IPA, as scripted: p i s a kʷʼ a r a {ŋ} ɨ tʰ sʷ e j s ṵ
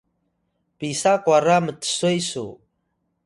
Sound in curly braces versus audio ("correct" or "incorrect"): incorrect